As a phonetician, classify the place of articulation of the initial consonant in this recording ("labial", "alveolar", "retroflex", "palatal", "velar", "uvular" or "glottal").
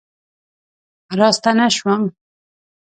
alveolar